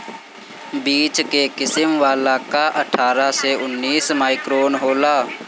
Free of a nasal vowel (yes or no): yes